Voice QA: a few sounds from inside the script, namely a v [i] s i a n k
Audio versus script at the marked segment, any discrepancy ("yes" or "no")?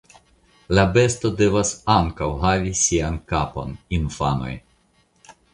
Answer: no